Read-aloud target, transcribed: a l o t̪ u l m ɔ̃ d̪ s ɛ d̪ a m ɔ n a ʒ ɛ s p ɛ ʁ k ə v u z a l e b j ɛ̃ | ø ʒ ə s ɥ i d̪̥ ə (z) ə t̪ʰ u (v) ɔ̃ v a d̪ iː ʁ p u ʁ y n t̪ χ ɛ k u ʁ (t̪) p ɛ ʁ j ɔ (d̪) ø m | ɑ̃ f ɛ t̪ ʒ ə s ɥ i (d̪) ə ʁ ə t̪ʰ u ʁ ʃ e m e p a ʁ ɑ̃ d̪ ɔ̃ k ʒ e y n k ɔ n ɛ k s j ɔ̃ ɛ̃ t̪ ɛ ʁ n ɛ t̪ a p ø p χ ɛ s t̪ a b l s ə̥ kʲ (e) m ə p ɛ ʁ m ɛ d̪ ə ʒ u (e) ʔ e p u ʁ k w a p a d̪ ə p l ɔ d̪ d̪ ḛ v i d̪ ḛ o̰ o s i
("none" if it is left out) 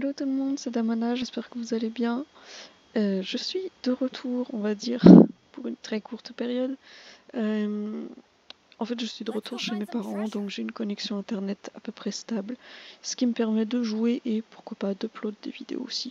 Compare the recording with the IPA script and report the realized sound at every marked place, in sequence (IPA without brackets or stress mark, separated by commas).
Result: ʁ, ʁ, t̪, d̪, d̪, i, e